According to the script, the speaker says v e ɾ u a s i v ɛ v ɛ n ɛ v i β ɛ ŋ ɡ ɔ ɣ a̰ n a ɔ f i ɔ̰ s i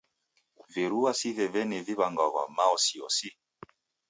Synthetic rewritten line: v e ɾ u a s i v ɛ v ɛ n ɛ v i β a ŋ ɡ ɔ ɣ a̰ m a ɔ s i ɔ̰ s i